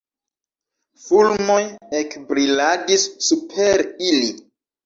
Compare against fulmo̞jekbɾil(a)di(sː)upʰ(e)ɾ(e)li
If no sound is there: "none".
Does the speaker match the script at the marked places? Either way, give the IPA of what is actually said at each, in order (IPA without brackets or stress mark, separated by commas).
a, sː, e, i